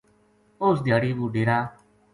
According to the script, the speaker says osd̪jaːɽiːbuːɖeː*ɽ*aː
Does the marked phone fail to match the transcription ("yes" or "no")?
yes